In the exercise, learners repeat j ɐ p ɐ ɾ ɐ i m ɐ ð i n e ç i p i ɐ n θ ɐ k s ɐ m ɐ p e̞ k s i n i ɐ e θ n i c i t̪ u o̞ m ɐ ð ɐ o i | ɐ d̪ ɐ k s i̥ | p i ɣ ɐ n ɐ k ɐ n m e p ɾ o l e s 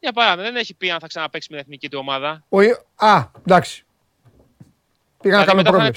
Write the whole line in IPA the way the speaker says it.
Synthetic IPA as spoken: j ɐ p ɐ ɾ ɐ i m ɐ ð e n e ç i p i ɐ n θ ɐ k s ɐ n ɐ p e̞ k s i m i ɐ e θ n i c i t̪ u o̞ m ɐ ð ɐ o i | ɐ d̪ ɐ k s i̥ | p i ɣ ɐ n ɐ k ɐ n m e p ɾ o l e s